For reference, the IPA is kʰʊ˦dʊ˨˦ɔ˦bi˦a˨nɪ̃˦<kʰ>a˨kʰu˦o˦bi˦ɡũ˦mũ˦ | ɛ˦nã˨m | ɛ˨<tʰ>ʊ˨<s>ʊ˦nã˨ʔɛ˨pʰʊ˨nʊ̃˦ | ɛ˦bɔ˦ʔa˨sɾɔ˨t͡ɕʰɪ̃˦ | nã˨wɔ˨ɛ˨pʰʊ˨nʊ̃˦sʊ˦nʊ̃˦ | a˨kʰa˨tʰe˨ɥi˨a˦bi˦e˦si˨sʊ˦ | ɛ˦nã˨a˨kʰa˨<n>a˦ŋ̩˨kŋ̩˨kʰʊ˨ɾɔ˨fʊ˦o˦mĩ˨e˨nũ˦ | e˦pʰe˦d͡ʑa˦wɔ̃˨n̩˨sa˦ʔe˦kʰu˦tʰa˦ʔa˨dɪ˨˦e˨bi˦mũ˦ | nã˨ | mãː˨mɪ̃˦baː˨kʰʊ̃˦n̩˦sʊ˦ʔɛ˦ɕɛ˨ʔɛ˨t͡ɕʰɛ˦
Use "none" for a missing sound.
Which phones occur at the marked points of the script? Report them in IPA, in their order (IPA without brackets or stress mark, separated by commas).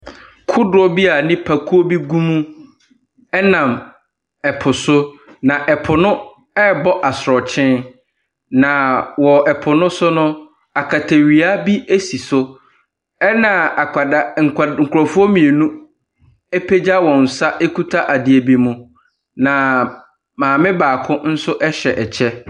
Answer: pʰ, pʰ, s, d